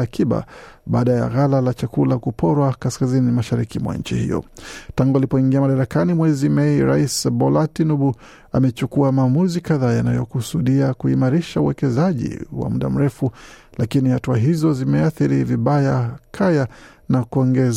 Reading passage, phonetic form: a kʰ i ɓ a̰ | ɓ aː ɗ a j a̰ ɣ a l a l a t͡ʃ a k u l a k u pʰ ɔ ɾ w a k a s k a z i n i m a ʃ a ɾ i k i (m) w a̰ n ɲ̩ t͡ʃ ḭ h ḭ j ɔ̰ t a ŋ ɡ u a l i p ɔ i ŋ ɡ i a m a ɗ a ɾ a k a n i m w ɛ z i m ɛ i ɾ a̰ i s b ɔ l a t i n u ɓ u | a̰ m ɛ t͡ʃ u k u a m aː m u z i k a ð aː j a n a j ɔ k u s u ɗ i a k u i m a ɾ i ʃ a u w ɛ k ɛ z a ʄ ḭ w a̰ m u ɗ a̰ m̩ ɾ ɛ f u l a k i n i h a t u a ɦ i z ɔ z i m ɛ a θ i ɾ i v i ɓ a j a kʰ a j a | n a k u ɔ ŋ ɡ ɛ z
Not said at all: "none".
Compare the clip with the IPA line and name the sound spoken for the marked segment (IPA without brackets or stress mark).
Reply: m